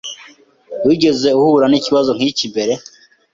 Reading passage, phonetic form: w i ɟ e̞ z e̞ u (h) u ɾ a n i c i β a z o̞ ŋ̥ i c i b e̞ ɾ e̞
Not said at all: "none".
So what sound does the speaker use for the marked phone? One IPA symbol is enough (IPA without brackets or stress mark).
h